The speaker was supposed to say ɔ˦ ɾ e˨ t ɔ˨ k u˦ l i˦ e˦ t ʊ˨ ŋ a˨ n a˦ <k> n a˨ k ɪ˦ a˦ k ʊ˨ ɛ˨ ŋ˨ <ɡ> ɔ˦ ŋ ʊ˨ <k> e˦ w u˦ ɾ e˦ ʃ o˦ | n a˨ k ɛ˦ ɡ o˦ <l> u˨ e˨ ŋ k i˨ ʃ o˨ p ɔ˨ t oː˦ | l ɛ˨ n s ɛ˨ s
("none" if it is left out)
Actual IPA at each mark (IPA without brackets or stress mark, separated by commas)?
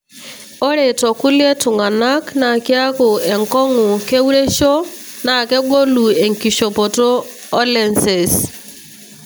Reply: k, k, k, l